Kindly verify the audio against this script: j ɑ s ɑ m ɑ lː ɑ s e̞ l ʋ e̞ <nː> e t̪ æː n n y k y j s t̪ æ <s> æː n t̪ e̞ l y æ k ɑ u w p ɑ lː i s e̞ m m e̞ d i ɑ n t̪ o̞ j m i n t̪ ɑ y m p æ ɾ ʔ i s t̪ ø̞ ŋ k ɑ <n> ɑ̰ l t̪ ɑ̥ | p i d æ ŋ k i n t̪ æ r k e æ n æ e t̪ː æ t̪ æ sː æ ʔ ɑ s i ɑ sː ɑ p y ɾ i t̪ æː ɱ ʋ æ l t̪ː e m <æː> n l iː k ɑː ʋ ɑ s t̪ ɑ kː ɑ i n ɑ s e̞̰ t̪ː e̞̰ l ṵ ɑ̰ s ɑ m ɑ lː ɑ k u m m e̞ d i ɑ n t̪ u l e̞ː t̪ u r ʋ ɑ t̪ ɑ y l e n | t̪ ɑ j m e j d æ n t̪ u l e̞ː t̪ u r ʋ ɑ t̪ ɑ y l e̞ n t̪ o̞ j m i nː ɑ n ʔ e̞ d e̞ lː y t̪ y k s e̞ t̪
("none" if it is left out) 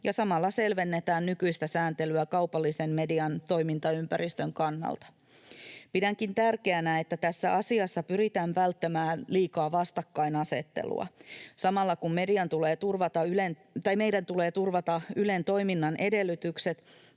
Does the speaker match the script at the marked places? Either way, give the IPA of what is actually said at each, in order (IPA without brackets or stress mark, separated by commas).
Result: nː, s, nː, æː